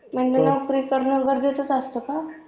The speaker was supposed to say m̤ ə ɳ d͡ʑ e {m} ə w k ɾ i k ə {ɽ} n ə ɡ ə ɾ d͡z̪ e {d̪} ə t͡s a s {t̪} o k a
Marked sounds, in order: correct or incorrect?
incorrect: n, incorrect: ɾ, incorrect: t̪, correct

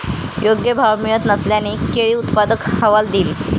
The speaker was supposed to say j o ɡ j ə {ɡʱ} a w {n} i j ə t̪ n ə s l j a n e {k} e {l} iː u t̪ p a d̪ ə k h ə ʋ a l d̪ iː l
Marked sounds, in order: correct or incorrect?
incorrect: bʱ, incorrect: m, correct, incorrect: ɭ

